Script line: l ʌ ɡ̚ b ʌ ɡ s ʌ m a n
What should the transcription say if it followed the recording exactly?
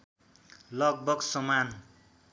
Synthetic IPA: l ʌ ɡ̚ b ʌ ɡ s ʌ m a n